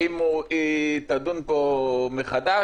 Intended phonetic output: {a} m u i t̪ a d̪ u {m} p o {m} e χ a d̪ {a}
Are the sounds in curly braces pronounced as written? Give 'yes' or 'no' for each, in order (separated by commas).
no, no, yes, yes